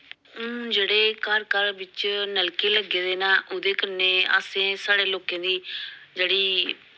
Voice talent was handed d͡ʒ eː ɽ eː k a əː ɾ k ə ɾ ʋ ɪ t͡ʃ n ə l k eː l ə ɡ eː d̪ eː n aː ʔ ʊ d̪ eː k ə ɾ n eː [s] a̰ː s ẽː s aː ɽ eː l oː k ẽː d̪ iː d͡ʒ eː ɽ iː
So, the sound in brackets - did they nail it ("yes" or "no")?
no